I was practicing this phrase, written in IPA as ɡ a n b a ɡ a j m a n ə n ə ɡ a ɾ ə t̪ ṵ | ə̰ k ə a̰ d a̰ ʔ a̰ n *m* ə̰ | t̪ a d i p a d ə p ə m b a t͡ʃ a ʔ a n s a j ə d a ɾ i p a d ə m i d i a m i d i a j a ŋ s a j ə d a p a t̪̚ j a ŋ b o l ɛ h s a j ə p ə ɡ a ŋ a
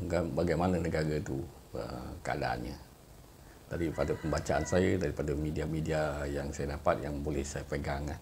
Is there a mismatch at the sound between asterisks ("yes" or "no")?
yes